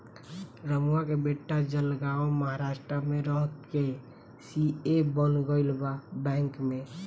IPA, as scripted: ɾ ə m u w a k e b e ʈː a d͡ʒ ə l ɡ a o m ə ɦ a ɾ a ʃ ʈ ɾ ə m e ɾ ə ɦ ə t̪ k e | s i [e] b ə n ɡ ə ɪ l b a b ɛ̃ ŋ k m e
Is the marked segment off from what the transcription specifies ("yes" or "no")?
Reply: no